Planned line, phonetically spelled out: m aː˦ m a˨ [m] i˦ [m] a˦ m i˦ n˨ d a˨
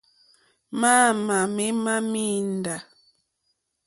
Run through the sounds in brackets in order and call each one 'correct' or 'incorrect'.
correct, correct

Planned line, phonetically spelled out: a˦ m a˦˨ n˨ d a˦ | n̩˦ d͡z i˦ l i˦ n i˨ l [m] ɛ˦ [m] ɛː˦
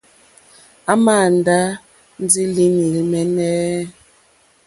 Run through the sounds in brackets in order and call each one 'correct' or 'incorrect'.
correct, incorrect: n

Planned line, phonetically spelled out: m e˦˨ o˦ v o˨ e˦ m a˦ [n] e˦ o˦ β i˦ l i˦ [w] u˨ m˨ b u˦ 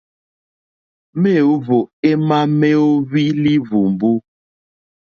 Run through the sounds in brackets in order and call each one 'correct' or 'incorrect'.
incorrect: m, incorrect: v

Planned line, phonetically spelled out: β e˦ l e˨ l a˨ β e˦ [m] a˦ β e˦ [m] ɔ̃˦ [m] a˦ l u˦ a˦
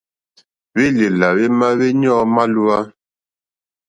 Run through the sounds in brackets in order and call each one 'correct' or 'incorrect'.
correct, incorrect: ɲ, correct

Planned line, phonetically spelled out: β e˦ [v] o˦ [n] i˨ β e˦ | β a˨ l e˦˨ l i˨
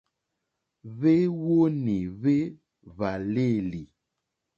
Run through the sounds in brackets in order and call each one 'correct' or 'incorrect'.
incorrect: w, correct

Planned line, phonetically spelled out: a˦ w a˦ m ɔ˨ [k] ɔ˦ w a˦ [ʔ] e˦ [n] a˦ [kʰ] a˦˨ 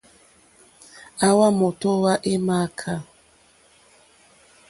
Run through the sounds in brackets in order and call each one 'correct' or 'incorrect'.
incorrect: t, correct, incorrect: m, correct

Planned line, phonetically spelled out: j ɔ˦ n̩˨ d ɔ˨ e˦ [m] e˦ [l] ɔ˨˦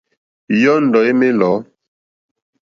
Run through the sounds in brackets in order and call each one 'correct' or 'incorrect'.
correct, correct

